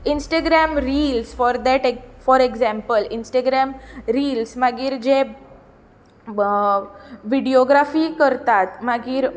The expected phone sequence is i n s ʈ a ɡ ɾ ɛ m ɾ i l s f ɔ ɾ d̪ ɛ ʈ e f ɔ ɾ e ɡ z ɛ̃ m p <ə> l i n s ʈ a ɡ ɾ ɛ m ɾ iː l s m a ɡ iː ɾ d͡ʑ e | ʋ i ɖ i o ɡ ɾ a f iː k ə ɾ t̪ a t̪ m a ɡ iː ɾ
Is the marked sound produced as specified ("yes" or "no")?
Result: yes